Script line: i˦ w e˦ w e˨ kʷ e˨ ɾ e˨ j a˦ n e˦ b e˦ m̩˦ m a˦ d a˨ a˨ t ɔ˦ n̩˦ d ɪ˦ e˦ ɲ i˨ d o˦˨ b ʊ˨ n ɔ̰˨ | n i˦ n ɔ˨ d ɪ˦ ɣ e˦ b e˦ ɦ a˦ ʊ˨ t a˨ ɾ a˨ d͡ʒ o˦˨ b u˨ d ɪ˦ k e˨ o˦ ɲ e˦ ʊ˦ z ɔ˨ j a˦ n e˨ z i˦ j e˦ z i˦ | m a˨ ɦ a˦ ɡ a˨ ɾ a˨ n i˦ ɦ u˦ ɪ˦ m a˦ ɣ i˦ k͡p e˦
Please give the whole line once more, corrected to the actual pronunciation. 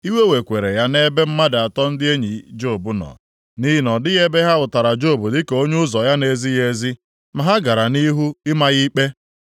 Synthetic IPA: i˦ w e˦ w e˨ kʷ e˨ ɾ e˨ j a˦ n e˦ b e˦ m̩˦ m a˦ d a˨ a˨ t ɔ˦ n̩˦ d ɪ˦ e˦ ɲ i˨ d͡ʒ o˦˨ b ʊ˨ n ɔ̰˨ | n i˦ n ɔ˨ d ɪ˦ ɣ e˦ b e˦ ɦ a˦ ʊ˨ t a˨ ɾ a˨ d͡ʒ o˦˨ b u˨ d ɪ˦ k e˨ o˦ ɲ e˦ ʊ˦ z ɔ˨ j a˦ n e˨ z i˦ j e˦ z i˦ | m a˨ ɦ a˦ ɡ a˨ ɾ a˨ n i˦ ɦ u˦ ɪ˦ m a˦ ɣ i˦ k͡p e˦